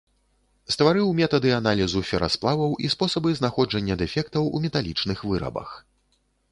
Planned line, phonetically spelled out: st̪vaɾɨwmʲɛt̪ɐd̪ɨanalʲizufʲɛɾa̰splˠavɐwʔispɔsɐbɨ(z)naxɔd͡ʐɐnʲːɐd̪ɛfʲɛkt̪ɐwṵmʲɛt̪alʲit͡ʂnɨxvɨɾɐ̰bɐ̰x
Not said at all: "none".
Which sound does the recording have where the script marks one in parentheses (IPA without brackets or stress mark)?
z